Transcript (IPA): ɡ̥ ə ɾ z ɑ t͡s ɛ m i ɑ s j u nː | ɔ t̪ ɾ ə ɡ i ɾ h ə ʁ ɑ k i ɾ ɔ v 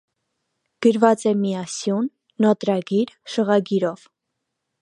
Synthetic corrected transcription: ɡ̥ ə ɾ v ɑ t͡s ɛ m i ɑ s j u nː | ɔ t̪ ɾ ɑ ɡ i ɾ ʃ ə ʁ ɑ ɡ i ɾ ɔ v